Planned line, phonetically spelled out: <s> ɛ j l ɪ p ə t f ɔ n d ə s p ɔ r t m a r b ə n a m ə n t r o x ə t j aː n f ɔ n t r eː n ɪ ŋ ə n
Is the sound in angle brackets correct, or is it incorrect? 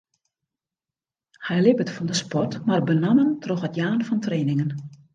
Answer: incorrect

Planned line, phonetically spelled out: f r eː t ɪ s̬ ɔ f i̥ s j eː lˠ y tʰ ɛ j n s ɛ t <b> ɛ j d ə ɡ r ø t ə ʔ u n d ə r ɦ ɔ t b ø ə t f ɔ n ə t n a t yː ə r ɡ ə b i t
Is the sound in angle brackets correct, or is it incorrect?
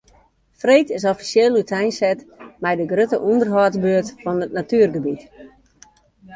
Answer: incorrect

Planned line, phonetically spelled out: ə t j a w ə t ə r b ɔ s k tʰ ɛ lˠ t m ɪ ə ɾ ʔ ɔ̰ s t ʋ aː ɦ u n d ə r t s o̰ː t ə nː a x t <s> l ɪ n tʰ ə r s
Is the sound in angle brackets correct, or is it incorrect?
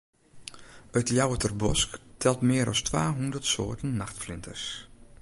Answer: incorrect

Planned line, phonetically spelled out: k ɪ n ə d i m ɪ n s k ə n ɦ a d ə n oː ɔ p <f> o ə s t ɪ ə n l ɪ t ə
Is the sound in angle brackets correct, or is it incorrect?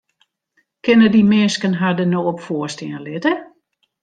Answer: correct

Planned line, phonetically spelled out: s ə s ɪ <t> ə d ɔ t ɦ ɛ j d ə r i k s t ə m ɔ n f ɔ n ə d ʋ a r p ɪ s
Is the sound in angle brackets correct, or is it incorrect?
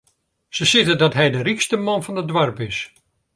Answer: correct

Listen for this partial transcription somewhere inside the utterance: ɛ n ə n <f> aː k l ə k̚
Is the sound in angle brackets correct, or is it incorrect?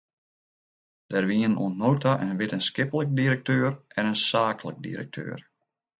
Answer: incorrect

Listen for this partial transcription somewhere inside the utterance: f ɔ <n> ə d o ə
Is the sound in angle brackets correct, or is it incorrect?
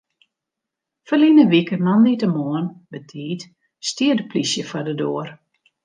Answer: incorrect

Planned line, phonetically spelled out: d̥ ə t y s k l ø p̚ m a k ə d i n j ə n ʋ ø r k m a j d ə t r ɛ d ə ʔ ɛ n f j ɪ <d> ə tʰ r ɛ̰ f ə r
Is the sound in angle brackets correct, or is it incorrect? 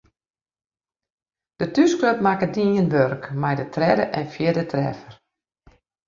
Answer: correct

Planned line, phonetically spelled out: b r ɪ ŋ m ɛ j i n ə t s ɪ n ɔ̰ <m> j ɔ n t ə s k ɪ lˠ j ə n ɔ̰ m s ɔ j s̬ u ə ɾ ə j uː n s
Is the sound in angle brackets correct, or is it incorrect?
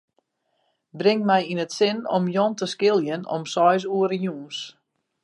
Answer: correct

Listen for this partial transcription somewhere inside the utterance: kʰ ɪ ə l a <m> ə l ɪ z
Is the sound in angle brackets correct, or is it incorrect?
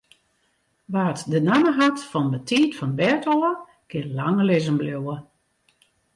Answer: incorrect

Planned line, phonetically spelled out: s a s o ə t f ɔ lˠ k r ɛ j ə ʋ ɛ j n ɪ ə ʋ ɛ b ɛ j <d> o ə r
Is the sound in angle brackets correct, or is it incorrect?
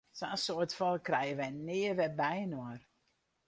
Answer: incorrect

